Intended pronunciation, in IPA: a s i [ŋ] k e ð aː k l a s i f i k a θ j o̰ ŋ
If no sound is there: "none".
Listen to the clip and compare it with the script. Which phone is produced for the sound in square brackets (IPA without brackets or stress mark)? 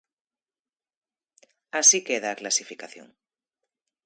none